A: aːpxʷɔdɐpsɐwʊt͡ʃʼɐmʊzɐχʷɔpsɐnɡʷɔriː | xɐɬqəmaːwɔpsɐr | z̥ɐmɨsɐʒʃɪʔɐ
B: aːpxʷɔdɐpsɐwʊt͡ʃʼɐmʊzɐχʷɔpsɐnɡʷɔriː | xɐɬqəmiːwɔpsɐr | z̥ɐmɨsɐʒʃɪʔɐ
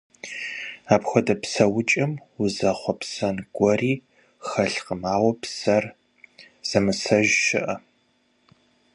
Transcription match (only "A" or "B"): A